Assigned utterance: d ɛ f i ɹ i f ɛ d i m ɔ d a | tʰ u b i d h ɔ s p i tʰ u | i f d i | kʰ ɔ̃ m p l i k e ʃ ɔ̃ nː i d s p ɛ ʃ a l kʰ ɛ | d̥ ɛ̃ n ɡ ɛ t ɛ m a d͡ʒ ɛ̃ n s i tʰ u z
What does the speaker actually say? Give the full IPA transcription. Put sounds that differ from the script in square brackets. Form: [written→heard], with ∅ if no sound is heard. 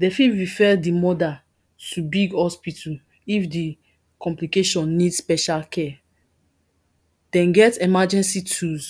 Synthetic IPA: d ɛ f i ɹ i f ɛ d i m ɔ d a | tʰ u b i [d→ɡ] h ɔ s p i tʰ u | i f d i | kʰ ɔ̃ m p l i k e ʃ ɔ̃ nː i d s p ɛ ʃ a l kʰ ɛ | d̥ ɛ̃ n ɡ ɛ t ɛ m a d͡ʒ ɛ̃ n s i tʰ u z

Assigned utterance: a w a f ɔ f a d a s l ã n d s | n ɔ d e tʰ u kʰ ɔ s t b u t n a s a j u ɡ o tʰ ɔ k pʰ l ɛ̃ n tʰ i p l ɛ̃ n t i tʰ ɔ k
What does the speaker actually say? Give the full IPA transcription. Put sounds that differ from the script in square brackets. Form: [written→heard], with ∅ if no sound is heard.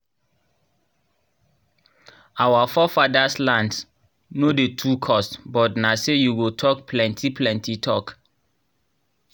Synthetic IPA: a w a f ɔ f a d a s l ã n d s | n [ɔ→o] d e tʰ u kʰ ɔ s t b [u→ɔ] t n a s [a→e] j u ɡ o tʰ ɔ k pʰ l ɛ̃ n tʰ i p l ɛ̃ n t i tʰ ɔ k

